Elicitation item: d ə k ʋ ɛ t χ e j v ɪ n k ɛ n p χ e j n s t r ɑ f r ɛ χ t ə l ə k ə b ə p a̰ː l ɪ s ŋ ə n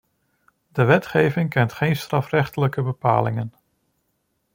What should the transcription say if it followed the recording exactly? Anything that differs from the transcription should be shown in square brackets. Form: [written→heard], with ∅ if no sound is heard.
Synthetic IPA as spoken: d ə [k→∅] ʋ ɛ t χ e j v ɪ [n→ŋ] k ɛ n [p→t] χ e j n s t r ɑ f r ɛ χ t ə l ə k ə b ə p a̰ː l ɪ [s→∅] ŋ ə n